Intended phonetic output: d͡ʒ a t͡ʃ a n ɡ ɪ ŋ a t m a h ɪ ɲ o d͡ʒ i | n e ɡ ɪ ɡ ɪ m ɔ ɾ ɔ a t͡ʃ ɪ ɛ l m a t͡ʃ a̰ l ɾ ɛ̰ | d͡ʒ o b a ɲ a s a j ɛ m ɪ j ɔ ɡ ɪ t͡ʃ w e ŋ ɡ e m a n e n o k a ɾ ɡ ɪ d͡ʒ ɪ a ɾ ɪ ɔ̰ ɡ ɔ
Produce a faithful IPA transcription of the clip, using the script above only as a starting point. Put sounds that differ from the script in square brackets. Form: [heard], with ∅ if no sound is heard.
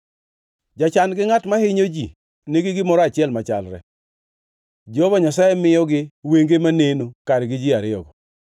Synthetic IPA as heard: d͡ʒ a t͡ʃ a n ɡ ɪ ŋ a t m a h ɪ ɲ o d͡ʒ i | n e ɡ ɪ ɡ ɪ m ɔ ɾ ɔ a t͡ʃ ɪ ɛ l m a t͡ʃ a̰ l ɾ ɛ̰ | d͡ʒ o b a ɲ a s a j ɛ m ɪ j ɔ ɡ ɪ [∅] w e ŋ ɡ e m a n e n o k a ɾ ɡ ɪ d͡ʒ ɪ a ɾ ɪ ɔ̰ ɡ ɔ

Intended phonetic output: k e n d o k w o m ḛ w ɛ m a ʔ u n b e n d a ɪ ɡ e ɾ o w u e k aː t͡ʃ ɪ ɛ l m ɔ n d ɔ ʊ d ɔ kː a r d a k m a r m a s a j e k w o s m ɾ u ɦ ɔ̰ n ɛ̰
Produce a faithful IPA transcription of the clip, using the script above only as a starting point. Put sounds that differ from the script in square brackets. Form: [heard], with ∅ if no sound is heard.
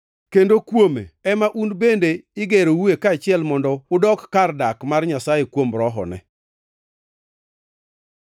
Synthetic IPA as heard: k e n d o k w o m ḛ [∅] ɛ m a ʔ u n b e n d [e] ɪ ɡ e ɾ o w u e k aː t͡ʃ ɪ ɛ l m ɔ n d ɔ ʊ d ɔ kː a r d a k m a r [ɲ] a s a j e k w o [∅] m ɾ [ɔ] ɦ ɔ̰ n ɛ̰

